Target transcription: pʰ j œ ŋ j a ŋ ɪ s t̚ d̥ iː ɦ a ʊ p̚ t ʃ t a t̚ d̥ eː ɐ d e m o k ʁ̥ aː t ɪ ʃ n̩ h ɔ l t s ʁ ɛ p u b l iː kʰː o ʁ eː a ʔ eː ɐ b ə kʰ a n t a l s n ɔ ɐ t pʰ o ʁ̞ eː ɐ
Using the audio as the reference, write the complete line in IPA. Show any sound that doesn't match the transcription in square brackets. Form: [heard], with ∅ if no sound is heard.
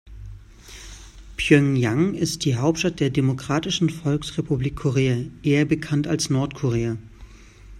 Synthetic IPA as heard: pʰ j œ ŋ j a ŋ ɪ s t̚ d̥ iː ɦ a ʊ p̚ t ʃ t a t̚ d̥ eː ɐ d e m o k ʁ̥ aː t ɪ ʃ n̩ [f] ɔ l [k] s ʁ [e] p u b l iː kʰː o ʁ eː a ʔ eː ɐ b ə kʰ a n t a l s n ɔ ɐ t [kʰ] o ʁ̞ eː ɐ